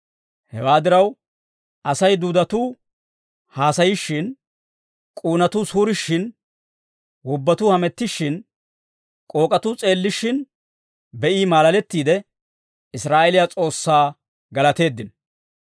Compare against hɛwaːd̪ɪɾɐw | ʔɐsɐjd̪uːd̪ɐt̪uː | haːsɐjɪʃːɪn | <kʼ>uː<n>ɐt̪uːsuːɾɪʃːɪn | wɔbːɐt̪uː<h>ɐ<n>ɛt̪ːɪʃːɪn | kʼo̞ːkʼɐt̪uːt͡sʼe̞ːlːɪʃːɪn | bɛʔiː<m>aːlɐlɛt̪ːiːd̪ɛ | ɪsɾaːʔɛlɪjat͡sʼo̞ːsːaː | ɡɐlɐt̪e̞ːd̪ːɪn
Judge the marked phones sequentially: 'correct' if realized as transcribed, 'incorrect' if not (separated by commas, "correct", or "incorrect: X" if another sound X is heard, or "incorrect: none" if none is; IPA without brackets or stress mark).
correct, correct, correct, incorrect: m, correct